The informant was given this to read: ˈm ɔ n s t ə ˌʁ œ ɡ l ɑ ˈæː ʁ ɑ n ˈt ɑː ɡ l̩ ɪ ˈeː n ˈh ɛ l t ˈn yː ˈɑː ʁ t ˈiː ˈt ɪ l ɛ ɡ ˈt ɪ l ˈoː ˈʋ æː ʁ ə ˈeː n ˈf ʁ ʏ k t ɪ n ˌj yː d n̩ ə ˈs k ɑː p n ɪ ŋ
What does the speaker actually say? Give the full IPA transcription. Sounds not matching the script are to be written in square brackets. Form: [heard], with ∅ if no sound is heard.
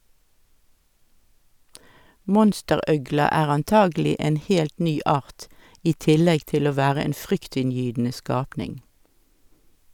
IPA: ˈm ɔ n s t ə ˌʁ œ ɡ l ɑ ˈæː ʁ ɑ n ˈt ɑː ɡ l̩ ɪ ˈeː n ˈh ɛ l t ˈn yː ˈɑː ʁ t ˈiː ˈt ɪ l ɛ ɡ ˈt ɪ l ˈoː ˈʋ æː ʁ ə ˈeː n ˈf ʁ ʏ k t ɪ n ˌj yː d n̩ ə ˈs k ɑː p n ɪ ŋ